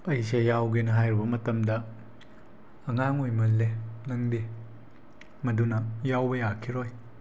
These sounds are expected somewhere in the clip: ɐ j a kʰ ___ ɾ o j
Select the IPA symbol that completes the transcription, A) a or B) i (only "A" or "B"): B